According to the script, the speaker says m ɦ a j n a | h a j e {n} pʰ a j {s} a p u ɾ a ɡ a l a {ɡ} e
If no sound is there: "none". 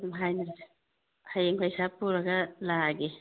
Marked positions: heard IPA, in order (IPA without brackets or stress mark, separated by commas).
ŋ, s, ɡ